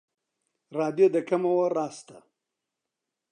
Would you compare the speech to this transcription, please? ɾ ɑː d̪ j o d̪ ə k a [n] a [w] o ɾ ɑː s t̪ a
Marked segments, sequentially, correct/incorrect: incorrect, correct

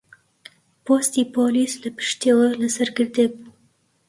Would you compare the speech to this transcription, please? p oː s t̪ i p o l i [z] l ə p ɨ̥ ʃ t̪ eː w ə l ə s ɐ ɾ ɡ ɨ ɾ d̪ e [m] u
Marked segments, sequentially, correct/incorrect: incorrect, incorrect

